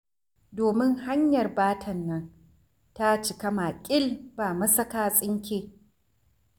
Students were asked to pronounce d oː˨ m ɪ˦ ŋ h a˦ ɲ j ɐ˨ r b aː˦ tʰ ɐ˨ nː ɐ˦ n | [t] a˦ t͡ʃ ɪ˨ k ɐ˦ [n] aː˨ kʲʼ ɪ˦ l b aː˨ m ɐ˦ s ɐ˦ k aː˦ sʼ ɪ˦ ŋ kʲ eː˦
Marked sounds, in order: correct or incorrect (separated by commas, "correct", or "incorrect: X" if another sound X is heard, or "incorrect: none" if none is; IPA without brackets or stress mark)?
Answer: correct, incorrect: m